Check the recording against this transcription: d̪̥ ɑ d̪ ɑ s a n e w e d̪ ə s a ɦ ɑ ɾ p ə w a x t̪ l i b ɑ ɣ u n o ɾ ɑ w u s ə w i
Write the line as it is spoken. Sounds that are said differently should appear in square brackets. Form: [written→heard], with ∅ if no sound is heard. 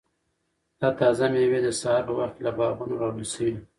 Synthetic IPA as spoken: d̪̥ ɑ [d̪→t̪] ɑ [s→z] a [n→m] e w e d̪ ə s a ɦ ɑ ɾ p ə w a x t̪ l [i→a] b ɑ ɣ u n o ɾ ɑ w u s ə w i